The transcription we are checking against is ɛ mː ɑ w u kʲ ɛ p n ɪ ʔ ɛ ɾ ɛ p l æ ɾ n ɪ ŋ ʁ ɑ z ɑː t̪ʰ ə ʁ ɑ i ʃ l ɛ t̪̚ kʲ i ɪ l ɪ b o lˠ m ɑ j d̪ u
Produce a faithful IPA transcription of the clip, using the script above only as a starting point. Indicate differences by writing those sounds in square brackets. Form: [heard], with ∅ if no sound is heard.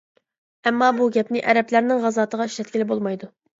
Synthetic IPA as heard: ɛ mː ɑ [b] u [ɡʲ] ɛ p n ɪ ʔ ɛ ɾ ɛ p l æ ɾ n ɪ ŋ ʁ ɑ z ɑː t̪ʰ ə ʁ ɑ i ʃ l ɛ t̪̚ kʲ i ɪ l ɪ b o lˠ m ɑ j d̪ u